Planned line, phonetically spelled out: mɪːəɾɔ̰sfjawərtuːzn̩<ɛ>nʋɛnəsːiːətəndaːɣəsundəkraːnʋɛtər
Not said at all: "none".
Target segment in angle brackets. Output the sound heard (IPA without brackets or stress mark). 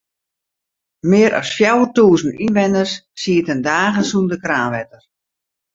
i